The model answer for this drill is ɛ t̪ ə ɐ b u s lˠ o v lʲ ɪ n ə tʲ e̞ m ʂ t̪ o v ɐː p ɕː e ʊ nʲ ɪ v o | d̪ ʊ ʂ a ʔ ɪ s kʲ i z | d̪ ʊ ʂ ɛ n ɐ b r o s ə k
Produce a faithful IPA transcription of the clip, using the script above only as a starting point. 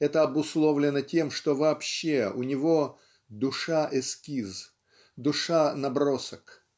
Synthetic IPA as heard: ɛ t̪ ə ɐ b ʊ s lˠ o v lʲ ɪ n ə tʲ e̞ m ʂ t̪ o v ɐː p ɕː e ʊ nʲ ɪ v o | d̪ ʊ ʂ a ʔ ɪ s kʲ i z | d̪ ʊ ʂ a n ɐ b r o s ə k